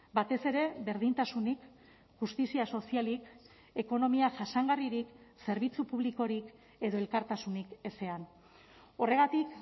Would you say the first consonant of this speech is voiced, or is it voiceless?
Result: voiced